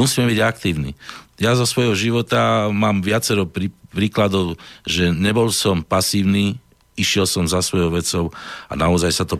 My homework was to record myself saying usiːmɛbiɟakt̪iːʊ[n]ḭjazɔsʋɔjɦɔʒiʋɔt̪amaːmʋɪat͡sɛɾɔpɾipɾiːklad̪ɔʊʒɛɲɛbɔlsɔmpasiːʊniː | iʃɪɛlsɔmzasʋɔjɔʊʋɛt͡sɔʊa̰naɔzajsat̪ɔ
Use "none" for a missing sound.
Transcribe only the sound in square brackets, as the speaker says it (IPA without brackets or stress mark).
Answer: n